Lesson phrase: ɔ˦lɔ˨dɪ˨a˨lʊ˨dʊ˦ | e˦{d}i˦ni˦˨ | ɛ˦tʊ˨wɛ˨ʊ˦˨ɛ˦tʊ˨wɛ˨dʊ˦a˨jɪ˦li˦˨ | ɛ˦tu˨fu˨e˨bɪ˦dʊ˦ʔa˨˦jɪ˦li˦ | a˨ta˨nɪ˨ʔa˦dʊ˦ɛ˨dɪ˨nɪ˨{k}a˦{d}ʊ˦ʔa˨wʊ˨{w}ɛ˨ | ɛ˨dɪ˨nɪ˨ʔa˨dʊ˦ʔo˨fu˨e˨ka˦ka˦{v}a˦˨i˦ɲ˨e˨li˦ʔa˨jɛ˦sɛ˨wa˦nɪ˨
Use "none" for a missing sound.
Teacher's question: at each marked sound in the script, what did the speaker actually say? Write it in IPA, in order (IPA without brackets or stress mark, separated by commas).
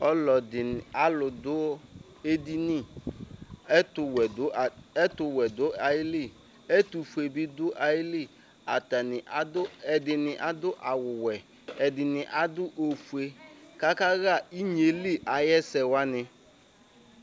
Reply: d, ʔ, d, w, ɣ